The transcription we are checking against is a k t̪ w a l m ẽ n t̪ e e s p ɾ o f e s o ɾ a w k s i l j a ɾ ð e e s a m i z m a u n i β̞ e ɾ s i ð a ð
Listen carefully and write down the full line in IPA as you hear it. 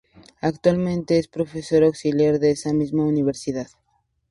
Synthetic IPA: a k t̪ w a l m ẽ n t̪ e e s p ɾ o f e s o ɾ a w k s i l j a ɾ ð e e s a m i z m a u n i β̞ e ɾ s i ð a ð